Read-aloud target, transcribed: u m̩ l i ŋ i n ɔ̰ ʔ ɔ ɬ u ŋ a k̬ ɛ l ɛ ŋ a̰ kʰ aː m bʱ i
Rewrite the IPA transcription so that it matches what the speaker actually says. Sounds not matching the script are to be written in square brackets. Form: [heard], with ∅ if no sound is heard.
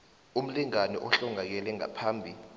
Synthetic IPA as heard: u m̩ l i ŋ [a] n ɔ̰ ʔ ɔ ɬ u ŋ a k̬ ɛ l ɛ ŋ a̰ [pʰ] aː m bʱ i